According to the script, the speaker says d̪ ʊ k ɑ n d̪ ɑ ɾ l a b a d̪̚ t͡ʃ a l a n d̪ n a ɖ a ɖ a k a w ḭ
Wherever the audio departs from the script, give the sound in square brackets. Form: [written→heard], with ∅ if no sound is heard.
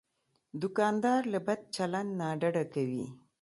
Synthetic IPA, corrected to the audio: d̪ ʊ k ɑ n d̪ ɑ ɾ l a b a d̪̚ t͡ʃ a l a n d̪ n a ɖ a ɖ a k a w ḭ